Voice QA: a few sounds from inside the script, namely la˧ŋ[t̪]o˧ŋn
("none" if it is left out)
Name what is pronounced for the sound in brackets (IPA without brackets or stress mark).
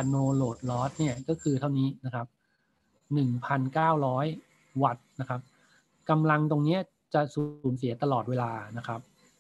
t̪